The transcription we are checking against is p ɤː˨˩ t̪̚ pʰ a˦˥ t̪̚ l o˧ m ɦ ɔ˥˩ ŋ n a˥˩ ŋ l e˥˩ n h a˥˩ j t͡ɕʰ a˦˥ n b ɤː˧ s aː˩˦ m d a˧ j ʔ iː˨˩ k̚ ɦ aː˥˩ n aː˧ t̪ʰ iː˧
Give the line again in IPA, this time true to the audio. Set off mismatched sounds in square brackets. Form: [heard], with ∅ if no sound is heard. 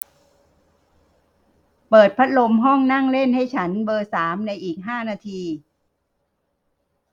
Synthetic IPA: p ɤː˨˩ t̪̚ pʰ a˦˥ t̪̚ l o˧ m ɦ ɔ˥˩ ŋ n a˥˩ ŋ l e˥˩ n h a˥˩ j t͡ɕʰ a˦˥ n b ɤː˧ s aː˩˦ m [n] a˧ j ʔ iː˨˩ k̚ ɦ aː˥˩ n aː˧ t̪ʰ iː˧